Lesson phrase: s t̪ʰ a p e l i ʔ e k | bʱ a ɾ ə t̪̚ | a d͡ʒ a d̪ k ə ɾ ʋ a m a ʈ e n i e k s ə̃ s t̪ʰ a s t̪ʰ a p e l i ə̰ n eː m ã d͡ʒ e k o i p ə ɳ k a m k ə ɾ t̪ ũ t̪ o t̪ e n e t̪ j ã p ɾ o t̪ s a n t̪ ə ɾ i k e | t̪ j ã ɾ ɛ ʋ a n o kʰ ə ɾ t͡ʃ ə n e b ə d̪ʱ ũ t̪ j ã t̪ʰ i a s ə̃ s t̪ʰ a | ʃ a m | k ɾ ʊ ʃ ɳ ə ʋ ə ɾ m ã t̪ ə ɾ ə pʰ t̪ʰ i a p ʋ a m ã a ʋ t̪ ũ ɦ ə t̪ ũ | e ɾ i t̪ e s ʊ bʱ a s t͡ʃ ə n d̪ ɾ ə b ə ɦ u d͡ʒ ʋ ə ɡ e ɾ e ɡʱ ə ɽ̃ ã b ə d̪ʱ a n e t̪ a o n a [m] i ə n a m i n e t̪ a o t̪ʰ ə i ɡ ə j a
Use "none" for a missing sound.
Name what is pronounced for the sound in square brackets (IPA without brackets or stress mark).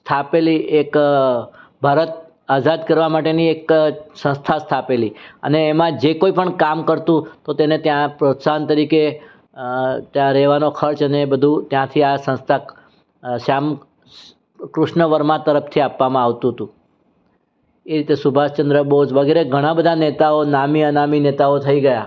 m